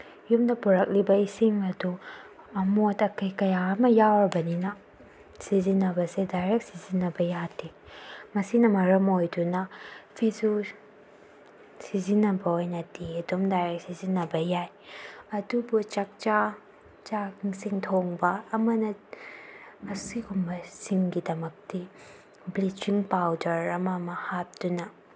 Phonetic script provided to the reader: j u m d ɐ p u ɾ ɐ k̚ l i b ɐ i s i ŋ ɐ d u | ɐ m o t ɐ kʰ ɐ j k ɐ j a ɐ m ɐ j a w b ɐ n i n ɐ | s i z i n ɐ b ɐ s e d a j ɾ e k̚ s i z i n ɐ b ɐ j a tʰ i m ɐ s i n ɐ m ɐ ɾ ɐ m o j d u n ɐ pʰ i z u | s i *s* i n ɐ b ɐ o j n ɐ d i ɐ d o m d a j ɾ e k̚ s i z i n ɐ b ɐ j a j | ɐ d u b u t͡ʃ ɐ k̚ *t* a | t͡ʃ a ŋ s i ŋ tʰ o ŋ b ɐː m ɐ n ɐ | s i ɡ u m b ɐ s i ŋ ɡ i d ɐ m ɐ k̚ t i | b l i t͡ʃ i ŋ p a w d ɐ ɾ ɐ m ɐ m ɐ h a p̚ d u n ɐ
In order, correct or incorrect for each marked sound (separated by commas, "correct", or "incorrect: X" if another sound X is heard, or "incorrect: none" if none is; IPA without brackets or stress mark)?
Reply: incorrect: z, incorrect: t͡ʃ